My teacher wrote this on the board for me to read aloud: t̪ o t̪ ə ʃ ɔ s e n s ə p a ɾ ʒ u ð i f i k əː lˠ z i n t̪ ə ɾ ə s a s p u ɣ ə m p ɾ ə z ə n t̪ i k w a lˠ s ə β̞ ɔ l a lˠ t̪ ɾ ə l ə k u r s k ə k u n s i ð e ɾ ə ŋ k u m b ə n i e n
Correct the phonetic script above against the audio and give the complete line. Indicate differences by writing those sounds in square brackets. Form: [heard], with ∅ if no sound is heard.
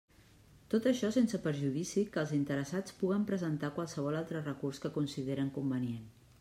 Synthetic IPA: t̪ o t̪ ə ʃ ɔ s e n s ə p [ə] ɾ ʒ u ð i [s] i k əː lˠ z i n t̪ ə ɾ ə s a [t͡s] p u ɣ ə m p ɾ ə z ə n t̪ [a] k w a lˠ s ə β̞ ɔ l a lˠ t̪ ɾ ə [r] ə k u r s k ə k u n s i ð e ɾ ə ŋ k u m b ə n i e n